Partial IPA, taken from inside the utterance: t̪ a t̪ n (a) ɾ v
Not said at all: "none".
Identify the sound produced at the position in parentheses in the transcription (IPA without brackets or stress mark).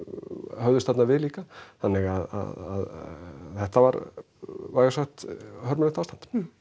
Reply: a